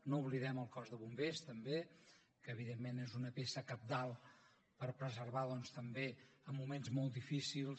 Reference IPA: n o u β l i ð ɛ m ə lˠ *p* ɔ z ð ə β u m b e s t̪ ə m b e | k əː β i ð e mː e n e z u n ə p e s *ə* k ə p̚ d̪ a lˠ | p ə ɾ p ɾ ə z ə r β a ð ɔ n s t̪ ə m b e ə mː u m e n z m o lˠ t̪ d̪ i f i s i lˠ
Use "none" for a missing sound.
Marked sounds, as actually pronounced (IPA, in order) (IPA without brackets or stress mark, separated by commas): k, ə